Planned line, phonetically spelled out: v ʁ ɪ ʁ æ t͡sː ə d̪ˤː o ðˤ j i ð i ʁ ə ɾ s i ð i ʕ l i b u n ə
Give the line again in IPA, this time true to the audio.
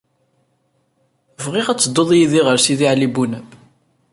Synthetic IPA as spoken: v ʁ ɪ ʁ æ t͡sː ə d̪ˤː o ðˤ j i ð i ʁ ə ɾ s i ð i ʕ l i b u n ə